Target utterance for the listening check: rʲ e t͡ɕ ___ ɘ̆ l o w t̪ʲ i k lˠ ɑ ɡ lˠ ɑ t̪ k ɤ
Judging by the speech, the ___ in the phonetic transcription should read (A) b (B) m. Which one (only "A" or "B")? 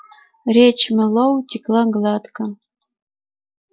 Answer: B